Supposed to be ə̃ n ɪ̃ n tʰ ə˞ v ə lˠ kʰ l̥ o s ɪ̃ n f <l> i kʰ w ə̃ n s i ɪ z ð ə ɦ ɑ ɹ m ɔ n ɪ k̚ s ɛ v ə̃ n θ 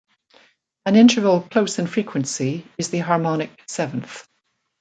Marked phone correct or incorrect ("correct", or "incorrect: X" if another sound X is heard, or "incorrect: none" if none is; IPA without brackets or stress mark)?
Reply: incorrect: ɹ